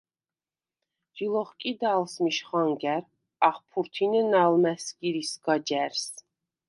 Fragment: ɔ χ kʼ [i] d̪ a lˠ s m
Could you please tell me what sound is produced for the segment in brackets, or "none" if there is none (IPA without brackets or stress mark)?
i